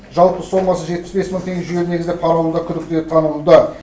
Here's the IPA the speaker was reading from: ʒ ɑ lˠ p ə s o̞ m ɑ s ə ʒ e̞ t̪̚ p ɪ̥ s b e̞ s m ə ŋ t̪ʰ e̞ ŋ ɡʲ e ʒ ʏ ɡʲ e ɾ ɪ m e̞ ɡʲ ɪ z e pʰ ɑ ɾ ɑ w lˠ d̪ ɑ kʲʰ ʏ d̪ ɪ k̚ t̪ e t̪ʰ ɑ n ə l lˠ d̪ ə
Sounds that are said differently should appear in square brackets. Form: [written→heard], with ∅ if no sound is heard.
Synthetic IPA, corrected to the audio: ʒ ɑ lˠ p ə s o̞ m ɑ s ə ʒ e̞ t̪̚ p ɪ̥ s b e̞ s m ə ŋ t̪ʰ e̞ ŋ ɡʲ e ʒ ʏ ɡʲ e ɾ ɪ [m→n] e̞ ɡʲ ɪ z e pʰ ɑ ɾ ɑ w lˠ d̪ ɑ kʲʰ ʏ d̪ ɪ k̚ t̪ e t̪ʰ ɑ n ə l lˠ d̪ ə

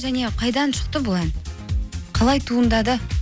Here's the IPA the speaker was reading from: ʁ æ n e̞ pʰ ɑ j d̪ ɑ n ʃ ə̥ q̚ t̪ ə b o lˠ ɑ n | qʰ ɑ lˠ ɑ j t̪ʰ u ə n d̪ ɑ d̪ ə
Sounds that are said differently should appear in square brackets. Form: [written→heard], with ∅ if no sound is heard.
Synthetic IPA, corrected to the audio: [ʁ→ʒ] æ n e̞ [pʰ→qʰ] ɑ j d̪ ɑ n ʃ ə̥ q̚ t̪ ə b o lˠ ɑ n | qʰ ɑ lˠ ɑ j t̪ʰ u ə n d̪ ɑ d̪ ə

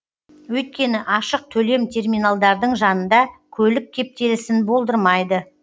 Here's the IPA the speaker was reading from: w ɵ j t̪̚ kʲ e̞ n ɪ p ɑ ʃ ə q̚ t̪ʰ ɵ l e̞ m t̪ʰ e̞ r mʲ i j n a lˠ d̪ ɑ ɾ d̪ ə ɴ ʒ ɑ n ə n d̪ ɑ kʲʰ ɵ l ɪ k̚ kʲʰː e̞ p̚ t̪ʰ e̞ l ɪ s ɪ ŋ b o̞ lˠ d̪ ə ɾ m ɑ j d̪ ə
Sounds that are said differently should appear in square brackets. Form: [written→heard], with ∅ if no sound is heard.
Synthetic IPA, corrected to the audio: w ɵ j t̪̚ kʲ e̞ n ɪ [p→ʔ] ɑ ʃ ə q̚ t̪ʰ ɵ l e̞ m t̪ʰ e̞ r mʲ i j n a lˠ d̪ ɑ ɾ d̪ ə ɴ ʒ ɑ n ə n d̪ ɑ kʲʰ ɵ l ɪ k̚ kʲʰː e̞ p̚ [t̪ʰ→t̪] e̞ l ɪ s ɪ [ŋ→n] b o̞ lˠ d̪ ə ɾ m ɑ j d̪ ə

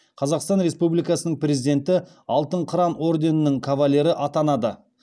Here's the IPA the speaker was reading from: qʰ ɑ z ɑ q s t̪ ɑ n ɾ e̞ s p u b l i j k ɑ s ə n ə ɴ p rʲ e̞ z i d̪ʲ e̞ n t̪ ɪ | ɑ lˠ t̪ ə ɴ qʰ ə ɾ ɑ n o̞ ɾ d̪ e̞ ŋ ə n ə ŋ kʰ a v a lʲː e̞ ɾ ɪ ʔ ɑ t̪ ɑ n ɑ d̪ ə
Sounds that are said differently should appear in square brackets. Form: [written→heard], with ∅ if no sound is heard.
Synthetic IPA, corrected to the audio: qʰ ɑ z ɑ q s t̪ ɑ n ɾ e̞ s p u b l i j k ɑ s ə n ə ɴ p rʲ e̞ z i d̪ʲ e̞ n t̪ ɪ | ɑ lˠ t̪ ə ɴ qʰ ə ɾ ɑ n o̞ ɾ d̪ e̞ [ŋ→n] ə n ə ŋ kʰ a v a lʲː e̞ ɾ ɪ ʔ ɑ t̪ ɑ n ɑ d̪ ə

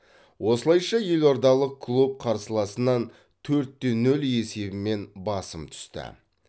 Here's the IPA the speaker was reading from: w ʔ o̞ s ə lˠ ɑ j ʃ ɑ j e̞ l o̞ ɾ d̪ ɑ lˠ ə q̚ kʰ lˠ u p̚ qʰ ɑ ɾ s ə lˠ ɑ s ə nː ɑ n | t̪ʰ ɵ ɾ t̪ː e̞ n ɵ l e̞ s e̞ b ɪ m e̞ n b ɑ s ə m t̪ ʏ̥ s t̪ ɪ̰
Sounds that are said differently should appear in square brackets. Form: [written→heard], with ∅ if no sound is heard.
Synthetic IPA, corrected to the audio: w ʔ o̞ s ə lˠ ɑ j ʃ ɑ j e̞ l o̞ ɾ d̪ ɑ lˠ ə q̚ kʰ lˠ u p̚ qʰ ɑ ɾ s ə lˠ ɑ s ə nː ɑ n | t̪ʰ ɵ ɾ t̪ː e̞ n ɵ l e̞ s e̞ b ɪ m e̞ n b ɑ s ə m [t̪→t̪ʰ] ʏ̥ s t̪ ɪ̰

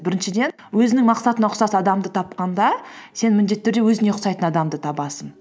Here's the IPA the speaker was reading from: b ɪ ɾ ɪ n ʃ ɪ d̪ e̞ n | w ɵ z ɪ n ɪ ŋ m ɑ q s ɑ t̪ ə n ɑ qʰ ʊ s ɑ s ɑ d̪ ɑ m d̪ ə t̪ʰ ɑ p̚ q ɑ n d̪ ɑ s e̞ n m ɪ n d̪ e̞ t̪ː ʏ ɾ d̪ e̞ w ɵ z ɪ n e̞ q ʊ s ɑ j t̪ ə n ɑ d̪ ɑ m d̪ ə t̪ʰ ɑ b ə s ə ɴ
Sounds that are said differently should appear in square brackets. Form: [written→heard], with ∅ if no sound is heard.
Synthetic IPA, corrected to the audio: b ɪ ɾ ɪ n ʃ ɪ d̪ e̞ n | w ɵ z ɪ n ɪ ŋ m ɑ q s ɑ t̪ ə n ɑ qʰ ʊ s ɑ s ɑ d̪ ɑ m d̪ ə t̪ʰ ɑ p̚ q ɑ n d̪ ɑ s e̞ n m ɪ n d̪ e̞ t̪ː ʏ ɾ d̪ e̞ w ɵ z ɪ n e̞ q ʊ s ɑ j t̪ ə n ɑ d̪ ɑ m d̪ ə t̪ʰ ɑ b [ə→ɑ] s ə [ɴ→n]

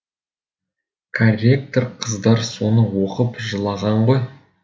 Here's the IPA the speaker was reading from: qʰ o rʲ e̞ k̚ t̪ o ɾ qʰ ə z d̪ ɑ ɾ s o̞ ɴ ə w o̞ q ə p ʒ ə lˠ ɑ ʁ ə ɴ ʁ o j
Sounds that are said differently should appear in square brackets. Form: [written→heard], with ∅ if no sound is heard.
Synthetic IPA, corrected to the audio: [qʰ→kʰ] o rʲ e̞ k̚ t̪ o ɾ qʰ ə z d̪ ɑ ɾ s o̞ [ɴ→n] ə w o̞ q ə p ʒ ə lˠ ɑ ʁ [ə→ɑ] ɴ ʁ o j

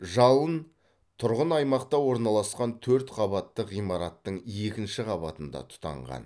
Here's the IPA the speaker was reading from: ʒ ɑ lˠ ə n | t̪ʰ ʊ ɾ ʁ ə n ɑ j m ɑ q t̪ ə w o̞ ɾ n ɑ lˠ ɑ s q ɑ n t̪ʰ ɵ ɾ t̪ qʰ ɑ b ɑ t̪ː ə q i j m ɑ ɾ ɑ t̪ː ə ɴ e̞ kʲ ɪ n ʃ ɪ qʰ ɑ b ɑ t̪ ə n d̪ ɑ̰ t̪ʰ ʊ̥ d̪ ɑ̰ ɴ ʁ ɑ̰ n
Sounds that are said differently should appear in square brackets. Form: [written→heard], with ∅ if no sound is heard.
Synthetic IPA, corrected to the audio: ʒ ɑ lˠ ə n | t̪ʰ ʊ ɾ ʁ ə n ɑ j m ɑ q t̪ [ə→ɑ] w o̞ ɾ n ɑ lˠ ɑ s q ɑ n t̪ʰ ɵ ɾ t̪ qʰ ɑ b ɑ t̪ː ə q i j m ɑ ɾ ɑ t̪ː ə ɴ e̞ kʲ ɪ n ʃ ɪ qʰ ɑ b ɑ t̪ ə n d̪ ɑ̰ t̪ʰ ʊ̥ [d̪→t̪] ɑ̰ ɴ ʁ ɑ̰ n

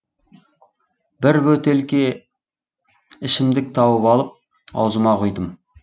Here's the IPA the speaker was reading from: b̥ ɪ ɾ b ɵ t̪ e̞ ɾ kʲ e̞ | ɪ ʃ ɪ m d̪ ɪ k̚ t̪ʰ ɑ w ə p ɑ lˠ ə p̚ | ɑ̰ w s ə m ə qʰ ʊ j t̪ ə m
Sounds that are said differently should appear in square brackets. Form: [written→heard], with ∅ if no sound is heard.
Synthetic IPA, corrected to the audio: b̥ ɪ ɾ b ɵ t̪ e̞ [ɾ→l] kʲ e̞ | ɪ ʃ ɪ m d̪ ɪ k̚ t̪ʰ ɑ w ə p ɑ lˠ ə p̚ | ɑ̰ w [s→z] ə m [ə→ɑ] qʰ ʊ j [t̪→d̪] ə m

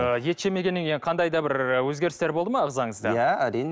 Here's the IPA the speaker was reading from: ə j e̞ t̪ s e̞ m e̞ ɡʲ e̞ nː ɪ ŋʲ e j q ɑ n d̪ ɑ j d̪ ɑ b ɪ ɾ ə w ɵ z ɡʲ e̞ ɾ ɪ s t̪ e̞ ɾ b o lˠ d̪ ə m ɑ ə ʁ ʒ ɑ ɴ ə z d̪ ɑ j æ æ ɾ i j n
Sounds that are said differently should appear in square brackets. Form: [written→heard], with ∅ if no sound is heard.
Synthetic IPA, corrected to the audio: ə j e̞ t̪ [s→ʃ] e̞ m e̞ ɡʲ e̞ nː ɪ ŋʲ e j [q→qʰ] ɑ n d̪ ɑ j d̪ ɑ b ɪ ɾ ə w ɵ z ɡʲ e̞ ɾ ɪ s t̪ e̞ ɾ b o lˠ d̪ ə m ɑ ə ʁ [ʒ→z] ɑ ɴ ə z d̪ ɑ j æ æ ɾ i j n

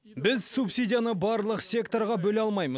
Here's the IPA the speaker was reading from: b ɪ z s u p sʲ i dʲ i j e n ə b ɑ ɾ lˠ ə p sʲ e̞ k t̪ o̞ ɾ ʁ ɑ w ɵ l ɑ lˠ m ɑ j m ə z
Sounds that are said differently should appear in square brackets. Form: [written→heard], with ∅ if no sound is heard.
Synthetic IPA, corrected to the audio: b ɪ z s u p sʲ i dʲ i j [e→a] n ə b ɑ ɾ lˠ ə [p→q] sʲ e̞ k t̪ o̞ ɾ ʁ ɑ [w→b] ɵ l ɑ lˠ m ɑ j m ə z

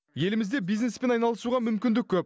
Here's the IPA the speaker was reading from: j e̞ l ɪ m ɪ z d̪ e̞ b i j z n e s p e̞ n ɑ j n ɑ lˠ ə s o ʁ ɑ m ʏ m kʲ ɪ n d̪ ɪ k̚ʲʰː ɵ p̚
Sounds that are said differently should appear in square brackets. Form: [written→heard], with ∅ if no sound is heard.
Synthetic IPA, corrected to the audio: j e̞ l ɪ m ɪ z d̪ e̞ b i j z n e s p e̞ n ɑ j n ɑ lˠ ə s [o→u] ʁ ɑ m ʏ m kʲ ɪ n d̪ ɪ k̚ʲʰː ɵ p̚

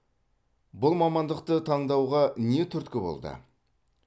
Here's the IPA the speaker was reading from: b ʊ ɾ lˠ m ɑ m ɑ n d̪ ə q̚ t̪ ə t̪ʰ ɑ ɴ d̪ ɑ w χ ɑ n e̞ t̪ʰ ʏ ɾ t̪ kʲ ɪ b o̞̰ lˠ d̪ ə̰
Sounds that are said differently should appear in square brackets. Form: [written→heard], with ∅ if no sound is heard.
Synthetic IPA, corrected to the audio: b ʊ [ɾ→∅] lˠ m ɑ m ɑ n d̪ ə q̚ t̪ ə t̪ʰ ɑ ɴ d̪ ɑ w [χ→ʁ] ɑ n e̞ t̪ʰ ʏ ɾ t̪ kʲ ɪ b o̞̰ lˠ d̪ ə̰

